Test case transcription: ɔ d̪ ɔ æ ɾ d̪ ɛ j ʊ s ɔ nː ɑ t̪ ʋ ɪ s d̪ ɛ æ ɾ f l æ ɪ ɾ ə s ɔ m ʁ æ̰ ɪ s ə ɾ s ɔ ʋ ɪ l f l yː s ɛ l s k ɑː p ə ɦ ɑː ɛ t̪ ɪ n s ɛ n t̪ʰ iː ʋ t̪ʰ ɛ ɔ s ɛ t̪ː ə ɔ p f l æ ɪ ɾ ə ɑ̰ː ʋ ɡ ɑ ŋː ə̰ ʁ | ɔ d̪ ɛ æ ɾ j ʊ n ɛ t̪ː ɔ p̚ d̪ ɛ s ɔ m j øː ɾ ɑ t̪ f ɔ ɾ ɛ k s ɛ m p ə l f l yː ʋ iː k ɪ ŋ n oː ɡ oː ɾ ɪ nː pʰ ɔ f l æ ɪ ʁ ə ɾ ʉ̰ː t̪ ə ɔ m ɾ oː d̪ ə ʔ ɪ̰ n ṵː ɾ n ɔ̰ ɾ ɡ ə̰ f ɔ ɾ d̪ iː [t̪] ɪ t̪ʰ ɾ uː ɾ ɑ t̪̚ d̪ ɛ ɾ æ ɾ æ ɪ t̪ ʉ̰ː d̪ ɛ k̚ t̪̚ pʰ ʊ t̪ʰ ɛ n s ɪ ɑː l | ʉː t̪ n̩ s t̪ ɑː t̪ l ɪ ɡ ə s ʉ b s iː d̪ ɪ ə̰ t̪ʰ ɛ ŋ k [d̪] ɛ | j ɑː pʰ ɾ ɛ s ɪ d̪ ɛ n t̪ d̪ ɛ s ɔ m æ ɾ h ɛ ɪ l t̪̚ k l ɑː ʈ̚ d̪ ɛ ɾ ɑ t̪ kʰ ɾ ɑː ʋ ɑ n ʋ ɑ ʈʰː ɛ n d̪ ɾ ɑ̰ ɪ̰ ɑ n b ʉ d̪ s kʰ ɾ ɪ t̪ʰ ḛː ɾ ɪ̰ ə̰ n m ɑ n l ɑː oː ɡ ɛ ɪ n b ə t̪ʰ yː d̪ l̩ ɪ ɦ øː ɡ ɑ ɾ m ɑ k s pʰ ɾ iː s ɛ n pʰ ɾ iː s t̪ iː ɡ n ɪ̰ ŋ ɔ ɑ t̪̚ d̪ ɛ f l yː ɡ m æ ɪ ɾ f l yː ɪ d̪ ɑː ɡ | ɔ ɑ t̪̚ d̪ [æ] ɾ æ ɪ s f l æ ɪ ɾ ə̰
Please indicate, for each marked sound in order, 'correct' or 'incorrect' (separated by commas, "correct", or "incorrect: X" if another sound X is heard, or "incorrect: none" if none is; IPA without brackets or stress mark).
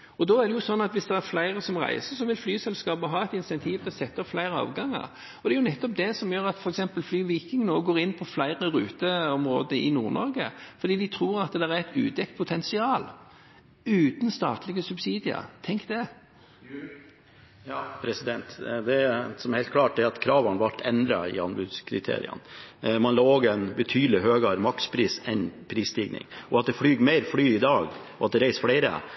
incorrect: d̪, correct, incorrect: ɛ